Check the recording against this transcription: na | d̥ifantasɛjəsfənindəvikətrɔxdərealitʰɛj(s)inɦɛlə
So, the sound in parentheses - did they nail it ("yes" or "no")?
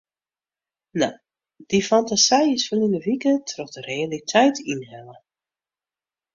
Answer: no